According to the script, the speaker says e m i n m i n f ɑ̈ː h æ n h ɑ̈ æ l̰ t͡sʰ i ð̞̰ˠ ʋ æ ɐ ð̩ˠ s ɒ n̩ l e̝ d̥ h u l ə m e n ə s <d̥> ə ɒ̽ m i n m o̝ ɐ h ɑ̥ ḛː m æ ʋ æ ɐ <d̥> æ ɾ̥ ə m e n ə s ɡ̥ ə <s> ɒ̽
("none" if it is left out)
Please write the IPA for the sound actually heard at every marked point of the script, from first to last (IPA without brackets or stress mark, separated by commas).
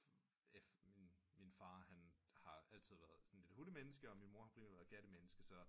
ɡ̥, ɡ̥, s